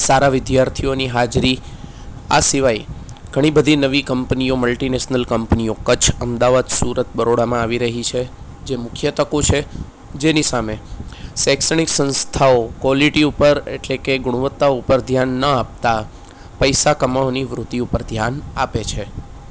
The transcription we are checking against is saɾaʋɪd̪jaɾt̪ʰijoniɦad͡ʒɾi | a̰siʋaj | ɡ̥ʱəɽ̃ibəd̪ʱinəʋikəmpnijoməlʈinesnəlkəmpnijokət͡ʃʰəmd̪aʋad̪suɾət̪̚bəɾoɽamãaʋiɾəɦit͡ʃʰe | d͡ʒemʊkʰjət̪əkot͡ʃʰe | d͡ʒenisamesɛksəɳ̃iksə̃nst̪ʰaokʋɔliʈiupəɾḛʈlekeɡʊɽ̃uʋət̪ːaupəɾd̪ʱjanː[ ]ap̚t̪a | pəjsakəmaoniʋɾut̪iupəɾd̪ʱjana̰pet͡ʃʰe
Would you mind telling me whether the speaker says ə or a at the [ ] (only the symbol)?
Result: ə